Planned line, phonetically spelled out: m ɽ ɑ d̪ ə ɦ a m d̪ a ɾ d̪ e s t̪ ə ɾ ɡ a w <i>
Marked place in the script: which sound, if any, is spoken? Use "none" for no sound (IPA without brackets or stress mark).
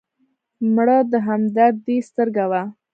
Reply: a